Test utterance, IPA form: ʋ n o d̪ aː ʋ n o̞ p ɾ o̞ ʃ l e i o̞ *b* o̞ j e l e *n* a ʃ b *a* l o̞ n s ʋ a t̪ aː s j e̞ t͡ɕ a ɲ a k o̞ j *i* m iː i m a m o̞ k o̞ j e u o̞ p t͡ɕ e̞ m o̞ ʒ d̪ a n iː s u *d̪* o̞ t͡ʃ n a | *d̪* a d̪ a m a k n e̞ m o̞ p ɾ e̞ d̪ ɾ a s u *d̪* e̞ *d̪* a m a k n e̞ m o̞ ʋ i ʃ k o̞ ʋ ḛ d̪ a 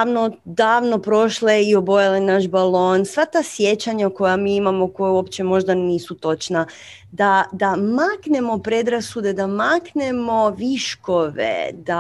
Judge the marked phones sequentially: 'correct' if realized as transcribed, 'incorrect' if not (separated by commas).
correct, correct, correct, incorrect, incorrect, correct, correct, correct